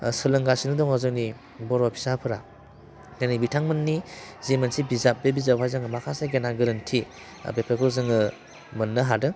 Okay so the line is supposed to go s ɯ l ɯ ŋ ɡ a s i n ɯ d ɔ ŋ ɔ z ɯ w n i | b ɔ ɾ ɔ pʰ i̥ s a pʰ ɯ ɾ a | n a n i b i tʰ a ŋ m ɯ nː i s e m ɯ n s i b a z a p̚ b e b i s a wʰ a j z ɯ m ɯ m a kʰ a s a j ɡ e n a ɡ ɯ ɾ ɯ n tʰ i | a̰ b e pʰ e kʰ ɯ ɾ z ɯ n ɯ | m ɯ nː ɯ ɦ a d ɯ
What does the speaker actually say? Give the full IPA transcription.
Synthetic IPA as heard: s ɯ l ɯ ŋ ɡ a s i n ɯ d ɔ ŋ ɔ z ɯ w n i | b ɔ ɾ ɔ pʰ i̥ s a pʰ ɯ ɾ a | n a n i b i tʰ a ŋ m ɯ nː i z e m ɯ n s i b i z a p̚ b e b i z a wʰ a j z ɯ ŋ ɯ m a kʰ a s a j ɡ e n a ɡ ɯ ɾ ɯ n tʰ i | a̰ b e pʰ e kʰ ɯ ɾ z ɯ ŋ ɯ | m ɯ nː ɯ ɦ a d ɯ